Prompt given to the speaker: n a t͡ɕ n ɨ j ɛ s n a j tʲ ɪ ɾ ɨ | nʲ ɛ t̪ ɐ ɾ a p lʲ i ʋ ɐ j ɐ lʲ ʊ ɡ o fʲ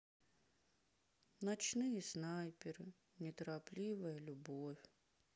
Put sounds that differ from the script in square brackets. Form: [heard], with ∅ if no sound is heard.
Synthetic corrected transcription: n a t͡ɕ n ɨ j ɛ s n a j [pʲ] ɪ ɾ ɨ | nʲ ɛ t̪ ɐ ɾ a p lʲ i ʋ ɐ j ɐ lʲ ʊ [b] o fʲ